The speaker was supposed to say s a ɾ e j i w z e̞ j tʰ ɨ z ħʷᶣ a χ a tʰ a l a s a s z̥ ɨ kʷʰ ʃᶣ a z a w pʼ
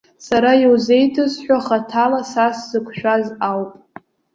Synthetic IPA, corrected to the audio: s a ɾ a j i w z e̞ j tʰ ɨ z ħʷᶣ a χ a tʰ a l a s a s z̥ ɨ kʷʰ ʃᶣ a z a w pʼ